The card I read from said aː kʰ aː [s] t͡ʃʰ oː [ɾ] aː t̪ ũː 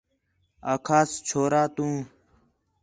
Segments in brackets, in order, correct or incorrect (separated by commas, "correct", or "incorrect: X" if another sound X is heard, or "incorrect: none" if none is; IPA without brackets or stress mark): correct, correct